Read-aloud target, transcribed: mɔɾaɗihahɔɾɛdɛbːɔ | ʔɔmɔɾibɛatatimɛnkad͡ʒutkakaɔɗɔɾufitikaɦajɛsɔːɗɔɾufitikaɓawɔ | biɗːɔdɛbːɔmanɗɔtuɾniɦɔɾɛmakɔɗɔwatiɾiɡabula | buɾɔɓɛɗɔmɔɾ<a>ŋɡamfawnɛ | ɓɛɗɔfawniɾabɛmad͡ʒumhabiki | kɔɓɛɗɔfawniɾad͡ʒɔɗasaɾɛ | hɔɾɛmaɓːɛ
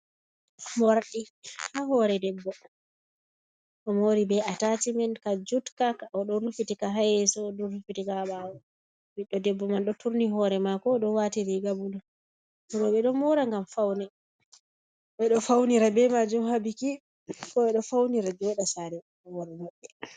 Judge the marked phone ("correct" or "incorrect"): correct